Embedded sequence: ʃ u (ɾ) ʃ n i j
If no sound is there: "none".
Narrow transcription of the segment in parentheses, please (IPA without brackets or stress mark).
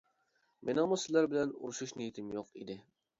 none